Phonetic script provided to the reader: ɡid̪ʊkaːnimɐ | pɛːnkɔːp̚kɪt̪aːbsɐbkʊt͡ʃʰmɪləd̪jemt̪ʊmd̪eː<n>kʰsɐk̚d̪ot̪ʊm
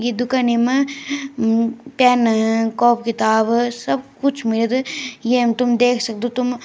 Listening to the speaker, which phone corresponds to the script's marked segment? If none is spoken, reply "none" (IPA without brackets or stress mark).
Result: none